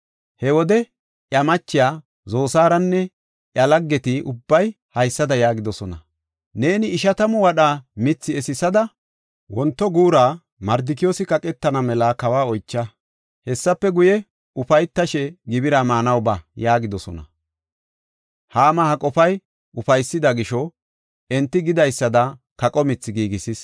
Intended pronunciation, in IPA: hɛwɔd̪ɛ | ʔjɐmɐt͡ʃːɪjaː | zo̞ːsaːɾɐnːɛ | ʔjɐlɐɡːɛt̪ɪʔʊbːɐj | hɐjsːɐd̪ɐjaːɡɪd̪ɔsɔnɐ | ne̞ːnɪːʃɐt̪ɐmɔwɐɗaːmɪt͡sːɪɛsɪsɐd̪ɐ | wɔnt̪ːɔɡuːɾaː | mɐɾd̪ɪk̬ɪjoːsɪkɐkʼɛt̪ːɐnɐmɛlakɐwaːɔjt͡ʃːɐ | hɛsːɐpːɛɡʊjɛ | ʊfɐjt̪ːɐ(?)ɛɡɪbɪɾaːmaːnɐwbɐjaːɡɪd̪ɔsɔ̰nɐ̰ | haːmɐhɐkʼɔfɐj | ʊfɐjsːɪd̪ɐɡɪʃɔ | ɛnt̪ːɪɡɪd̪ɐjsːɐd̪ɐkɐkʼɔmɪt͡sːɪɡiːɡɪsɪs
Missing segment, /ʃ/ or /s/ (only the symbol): ʃ